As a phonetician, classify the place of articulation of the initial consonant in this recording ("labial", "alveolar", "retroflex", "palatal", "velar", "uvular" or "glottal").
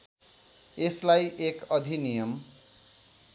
alveolar